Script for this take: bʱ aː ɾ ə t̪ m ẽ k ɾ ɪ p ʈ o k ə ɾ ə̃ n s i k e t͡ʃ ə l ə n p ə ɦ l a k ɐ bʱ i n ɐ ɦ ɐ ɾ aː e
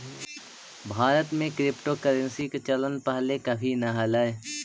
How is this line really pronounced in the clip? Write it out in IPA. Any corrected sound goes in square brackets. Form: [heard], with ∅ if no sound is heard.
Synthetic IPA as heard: bʱ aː ɾ ə t̪ m ẽ k ɾ ɪ p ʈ o k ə ɾ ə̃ n s i k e t͡ʃ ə l ə n p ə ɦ l [e] k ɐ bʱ i n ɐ ɦ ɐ [l] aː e